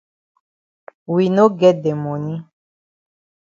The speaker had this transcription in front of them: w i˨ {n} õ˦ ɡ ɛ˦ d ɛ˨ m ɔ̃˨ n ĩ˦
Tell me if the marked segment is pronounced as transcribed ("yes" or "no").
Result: yes